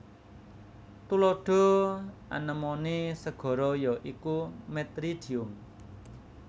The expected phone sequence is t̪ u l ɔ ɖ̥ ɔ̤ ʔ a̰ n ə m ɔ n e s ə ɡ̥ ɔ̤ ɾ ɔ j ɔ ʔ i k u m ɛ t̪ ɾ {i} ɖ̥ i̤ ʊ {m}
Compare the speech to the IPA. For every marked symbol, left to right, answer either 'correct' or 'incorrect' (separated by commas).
correct, correct